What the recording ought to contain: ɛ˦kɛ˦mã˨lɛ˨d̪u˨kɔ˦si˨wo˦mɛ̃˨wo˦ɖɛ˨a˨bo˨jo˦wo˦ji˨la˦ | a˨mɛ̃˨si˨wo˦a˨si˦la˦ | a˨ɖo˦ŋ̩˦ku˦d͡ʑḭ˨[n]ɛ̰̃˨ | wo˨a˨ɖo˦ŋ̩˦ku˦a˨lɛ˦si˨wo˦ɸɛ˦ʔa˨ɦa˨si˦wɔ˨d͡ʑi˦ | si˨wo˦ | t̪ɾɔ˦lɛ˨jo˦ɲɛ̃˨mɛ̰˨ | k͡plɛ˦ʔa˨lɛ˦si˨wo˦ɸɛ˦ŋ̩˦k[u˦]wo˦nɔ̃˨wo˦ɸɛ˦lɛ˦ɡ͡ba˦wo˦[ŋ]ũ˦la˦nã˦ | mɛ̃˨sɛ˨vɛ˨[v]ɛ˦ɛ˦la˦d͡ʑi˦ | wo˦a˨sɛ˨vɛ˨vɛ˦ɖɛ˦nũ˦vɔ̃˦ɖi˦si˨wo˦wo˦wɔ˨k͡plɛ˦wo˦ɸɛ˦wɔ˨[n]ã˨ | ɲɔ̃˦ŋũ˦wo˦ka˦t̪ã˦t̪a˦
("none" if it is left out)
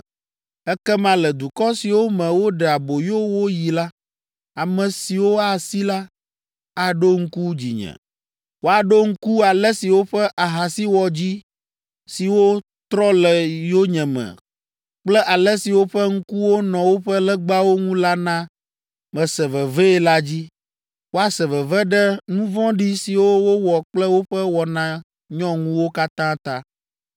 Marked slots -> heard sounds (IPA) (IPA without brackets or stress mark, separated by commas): ɲ, u˦, ŋ, v, n